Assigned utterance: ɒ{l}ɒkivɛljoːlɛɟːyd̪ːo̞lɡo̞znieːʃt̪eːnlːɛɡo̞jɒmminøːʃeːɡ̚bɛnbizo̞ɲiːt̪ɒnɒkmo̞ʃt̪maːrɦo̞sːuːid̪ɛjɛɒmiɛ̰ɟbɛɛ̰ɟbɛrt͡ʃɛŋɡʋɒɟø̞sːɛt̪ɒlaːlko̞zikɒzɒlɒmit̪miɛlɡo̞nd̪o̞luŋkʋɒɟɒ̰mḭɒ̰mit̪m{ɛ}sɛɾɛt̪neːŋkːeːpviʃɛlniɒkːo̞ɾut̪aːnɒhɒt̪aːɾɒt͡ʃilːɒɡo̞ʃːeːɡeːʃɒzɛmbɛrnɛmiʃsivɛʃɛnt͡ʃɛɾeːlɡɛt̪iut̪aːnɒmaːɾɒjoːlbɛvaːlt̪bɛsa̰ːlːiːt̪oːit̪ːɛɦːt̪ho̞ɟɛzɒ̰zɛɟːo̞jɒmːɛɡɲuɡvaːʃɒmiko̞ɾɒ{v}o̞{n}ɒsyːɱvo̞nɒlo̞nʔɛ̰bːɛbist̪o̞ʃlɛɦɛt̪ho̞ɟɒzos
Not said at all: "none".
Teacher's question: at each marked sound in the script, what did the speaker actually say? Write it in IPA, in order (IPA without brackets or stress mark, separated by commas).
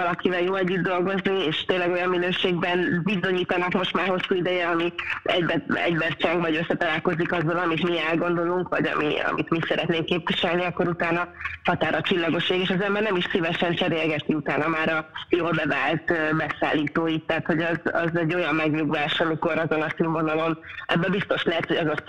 l, i, z, n